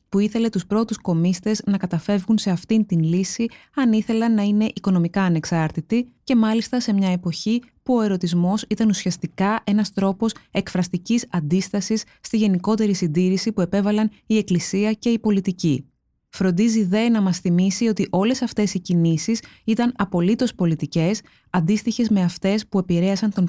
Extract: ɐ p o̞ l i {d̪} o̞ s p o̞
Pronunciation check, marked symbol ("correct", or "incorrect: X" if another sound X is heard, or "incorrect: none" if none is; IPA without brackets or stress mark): incorrect: t̪